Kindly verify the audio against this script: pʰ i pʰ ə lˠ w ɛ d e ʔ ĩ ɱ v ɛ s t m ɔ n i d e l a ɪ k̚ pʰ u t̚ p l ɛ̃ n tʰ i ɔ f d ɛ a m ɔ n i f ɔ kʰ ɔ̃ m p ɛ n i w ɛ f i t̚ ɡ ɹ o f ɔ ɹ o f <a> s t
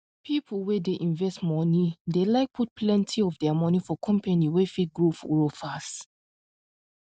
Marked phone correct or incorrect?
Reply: correct